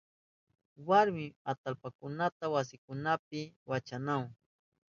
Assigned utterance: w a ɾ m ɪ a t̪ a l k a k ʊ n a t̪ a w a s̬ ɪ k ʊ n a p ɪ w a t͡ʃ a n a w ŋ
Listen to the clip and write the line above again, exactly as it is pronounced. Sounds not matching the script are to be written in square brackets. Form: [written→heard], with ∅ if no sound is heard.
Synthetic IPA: w a ɾ m ɪ a t̪ a l [k→p] a k ʊ n a t̪ a w a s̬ ɪ k ʊ n a p ɪ w a t͡ʃ a n a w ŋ